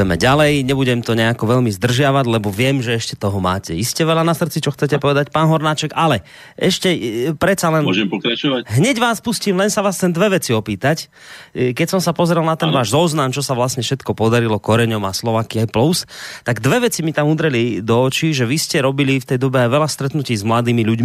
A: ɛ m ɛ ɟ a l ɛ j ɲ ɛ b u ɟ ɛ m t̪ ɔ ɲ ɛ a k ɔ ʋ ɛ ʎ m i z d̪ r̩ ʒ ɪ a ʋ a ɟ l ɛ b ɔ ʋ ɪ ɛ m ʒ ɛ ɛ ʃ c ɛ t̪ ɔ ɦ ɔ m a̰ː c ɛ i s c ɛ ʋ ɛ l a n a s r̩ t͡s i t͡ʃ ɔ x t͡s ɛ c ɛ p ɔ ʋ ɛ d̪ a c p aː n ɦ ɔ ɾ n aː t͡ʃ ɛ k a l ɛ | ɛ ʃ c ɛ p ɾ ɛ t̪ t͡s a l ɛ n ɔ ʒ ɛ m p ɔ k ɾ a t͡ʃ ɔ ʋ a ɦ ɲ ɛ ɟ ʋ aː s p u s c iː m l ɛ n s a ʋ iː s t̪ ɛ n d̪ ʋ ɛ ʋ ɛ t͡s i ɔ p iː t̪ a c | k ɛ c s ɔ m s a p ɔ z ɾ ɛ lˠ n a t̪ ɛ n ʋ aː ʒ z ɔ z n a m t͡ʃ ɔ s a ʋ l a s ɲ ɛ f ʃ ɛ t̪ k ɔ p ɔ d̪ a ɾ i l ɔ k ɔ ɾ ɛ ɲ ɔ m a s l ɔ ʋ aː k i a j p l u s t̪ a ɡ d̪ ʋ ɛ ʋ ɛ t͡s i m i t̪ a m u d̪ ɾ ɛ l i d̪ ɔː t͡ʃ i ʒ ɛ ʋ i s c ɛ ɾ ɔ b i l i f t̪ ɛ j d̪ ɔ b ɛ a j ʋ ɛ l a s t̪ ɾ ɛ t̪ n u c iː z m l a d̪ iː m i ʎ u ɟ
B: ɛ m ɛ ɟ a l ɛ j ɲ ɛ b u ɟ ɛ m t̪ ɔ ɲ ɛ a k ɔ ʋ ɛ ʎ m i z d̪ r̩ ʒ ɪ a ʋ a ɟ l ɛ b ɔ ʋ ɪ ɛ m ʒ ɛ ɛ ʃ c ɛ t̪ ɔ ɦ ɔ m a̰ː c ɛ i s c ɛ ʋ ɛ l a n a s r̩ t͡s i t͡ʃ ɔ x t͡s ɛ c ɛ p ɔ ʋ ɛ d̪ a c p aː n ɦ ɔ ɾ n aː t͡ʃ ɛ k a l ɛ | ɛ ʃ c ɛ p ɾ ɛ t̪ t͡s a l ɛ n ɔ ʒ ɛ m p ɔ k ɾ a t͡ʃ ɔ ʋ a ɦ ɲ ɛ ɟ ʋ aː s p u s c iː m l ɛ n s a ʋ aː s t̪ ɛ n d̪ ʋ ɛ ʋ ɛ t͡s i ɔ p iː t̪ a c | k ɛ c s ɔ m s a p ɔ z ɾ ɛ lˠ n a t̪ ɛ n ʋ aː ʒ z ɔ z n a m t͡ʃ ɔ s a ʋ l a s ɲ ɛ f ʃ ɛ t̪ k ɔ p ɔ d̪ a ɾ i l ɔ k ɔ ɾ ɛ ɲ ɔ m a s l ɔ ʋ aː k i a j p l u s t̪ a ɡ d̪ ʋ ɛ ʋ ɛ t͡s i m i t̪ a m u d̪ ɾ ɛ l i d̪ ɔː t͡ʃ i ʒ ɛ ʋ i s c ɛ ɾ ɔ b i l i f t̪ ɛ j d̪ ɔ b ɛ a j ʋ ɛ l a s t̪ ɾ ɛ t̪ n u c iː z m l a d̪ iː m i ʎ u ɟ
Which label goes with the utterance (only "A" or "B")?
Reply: B